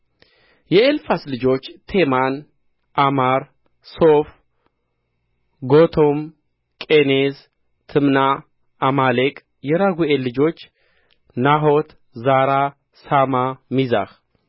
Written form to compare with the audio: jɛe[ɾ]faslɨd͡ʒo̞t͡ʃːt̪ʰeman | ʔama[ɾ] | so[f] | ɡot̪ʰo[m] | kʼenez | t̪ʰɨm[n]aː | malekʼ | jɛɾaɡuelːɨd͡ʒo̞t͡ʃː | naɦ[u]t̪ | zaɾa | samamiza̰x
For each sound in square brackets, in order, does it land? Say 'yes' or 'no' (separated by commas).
no, yes, yes, yes, yes, no